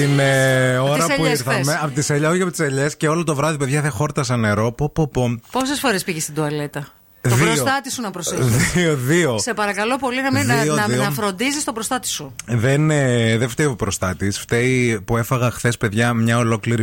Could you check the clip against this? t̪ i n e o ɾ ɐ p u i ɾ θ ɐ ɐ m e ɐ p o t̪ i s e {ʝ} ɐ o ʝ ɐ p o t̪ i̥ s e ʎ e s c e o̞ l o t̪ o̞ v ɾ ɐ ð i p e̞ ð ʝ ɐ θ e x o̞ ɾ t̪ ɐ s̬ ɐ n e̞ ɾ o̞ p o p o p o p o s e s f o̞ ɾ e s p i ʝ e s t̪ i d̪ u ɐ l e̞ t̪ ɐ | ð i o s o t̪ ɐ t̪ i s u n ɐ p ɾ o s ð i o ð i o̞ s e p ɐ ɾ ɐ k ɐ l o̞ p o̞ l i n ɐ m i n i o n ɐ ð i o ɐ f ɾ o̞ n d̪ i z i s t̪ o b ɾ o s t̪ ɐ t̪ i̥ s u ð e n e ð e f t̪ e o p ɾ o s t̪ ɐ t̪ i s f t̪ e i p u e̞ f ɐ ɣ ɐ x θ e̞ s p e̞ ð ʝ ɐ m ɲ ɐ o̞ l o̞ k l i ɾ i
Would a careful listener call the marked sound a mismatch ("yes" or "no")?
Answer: yes